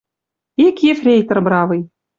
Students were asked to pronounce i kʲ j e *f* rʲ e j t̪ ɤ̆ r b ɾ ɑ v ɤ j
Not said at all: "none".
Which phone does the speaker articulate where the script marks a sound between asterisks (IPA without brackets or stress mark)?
f